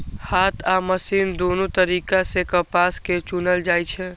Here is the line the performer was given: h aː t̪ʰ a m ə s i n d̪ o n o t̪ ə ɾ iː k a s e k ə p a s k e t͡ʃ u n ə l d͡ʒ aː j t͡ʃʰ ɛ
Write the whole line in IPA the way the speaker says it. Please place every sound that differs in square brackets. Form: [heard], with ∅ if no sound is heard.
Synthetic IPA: h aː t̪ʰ a m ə s i n d̪ o n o t̪ ə ɾ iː k a s e k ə p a s k e t͡ʃ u n ə l d͡ʒ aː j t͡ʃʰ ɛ